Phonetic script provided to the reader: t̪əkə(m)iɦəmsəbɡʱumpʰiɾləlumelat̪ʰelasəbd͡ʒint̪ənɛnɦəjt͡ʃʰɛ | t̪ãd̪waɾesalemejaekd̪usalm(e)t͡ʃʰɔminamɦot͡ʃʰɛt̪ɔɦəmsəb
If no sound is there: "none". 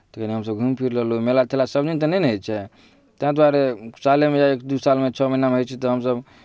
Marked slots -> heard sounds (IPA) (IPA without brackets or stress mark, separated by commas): n, e